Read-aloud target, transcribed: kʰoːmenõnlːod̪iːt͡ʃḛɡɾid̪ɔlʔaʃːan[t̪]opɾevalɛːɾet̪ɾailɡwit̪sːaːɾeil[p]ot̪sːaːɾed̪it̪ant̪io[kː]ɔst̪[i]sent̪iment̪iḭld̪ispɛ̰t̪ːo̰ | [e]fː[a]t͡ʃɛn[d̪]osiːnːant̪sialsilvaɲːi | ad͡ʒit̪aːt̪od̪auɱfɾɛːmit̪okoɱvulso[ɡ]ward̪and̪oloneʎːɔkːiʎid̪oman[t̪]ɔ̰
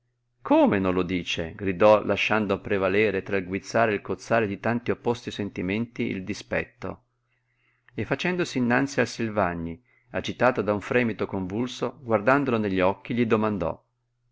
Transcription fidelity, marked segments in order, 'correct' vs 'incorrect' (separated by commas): incorrect, incorrect, incorrect, correct, correct, correct, correct, correct, incorrect